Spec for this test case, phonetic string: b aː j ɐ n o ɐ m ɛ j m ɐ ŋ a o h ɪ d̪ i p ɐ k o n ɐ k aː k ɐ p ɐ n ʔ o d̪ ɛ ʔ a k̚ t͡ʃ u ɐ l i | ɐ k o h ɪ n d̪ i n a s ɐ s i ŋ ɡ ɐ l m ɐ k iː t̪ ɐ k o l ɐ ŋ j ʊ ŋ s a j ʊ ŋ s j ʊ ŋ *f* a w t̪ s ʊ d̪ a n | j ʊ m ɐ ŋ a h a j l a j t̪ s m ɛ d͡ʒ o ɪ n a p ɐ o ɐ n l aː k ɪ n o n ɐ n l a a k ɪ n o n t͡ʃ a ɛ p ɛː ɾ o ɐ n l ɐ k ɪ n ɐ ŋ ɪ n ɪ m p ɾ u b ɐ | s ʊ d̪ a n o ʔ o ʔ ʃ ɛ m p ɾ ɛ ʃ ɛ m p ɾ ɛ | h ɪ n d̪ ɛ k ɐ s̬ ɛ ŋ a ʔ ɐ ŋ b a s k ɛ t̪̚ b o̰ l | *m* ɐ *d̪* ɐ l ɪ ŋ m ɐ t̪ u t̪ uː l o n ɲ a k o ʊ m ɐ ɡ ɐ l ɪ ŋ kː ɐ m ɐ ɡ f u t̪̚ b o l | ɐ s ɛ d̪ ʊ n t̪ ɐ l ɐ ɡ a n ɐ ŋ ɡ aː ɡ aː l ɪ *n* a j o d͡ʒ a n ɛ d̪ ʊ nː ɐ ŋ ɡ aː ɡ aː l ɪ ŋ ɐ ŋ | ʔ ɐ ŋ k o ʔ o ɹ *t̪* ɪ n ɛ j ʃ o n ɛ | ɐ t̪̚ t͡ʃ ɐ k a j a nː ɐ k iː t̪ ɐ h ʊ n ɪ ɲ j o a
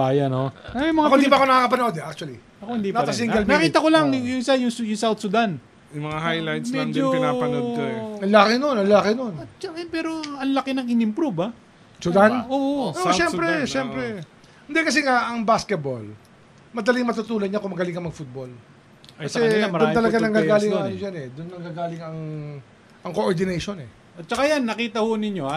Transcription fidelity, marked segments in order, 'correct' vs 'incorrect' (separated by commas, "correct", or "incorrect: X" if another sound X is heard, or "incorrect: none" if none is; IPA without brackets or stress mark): incorrect: s, correct, correct, incorrect: ŋ, incorrect: d̪